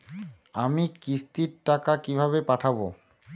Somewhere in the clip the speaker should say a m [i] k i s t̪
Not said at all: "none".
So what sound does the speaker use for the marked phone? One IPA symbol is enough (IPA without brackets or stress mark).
i